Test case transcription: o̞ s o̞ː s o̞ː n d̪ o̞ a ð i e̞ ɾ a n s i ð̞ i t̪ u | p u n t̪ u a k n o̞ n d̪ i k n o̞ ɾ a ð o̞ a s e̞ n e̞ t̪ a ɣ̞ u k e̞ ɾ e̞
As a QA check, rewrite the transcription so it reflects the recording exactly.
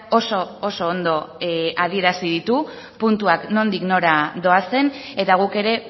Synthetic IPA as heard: o̞ s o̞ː s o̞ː n d̪ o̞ a ð i e̞ ɾ a s i ð̞ i t̪ u | p u n t̪ u a k n o̞ n d̪ i k n o̞ ɾ a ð o̞ a s e̞ n e̞ t̪ a ɣ̞ u k e̞ ɾ e̞